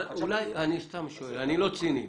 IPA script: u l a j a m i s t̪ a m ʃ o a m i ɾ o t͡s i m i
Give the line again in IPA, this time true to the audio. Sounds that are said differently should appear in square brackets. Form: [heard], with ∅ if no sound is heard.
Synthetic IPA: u l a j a [n] i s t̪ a m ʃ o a [n] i [l] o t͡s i [n] i

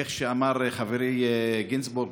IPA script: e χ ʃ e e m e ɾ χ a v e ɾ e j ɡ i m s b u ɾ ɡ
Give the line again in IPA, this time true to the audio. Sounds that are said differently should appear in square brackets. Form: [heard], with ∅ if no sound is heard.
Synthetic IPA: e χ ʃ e [a] m [a] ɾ χ a v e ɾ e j ɡ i [n] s b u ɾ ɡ

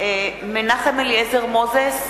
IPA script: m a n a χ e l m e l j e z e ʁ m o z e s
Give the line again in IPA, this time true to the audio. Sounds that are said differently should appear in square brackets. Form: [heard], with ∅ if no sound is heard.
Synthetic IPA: m [e] n a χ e [∅] m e l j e z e ʁ m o z e s

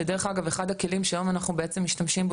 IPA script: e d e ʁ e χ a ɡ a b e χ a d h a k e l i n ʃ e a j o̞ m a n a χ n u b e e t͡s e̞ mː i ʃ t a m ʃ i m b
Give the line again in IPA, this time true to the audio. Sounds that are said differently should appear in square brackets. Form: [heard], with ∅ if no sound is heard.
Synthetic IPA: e d e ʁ e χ a ɡ a [v] e χ a d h a k e l i [m] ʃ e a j o̞ m a n a χ n u b e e t͡s e̞ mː i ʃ t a m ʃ i m b

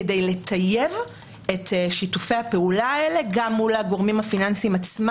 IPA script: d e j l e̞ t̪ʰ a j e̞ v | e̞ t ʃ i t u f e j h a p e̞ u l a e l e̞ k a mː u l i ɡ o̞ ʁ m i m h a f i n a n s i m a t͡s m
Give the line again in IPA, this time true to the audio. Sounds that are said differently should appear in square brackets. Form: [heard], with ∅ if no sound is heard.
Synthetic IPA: d e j l e̞ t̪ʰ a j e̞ v | e̞ t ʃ i t u f e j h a p e̞ u l a e l e̞ [ɡ] a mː u l [a] ɡ o̞ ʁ m i m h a f i n a n s i m a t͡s m

